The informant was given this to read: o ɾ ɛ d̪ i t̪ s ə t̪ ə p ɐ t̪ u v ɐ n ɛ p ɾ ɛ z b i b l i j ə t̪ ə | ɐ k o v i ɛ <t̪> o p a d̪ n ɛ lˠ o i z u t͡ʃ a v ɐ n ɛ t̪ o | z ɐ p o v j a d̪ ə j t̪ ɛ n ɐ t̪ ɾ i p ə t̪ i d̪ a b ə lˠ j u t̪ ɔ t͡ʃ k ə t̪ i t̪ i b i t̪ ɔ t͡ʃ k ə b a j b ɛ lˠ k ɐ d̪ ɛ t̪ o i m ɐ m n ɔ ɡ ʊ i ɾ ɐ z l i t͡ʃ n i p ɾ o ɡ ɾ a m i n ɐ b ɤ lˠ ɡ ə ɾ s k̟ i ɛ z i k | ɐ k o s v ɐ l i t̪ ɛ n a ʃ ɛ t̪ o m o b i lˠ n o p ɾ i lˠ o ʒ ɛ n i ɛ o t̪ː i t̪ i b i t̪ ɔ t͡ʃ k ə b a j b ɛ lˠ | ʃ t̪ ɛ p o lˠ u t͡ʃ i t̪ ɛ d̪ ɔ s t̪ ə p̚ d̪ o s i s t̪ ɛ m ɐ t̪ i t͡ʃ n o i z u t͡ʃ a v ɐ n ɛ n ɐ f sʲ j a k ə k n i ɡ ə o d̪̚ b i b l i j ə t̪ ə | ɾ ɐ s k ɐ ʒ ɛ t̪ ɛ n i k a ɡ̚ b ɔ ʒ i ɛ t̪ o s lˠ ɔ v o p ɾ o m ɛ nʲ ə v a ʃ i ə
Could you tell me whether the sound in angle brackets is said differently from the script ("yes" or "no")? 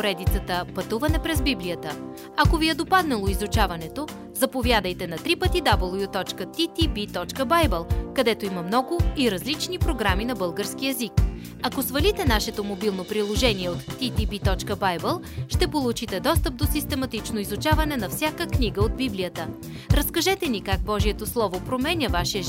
yes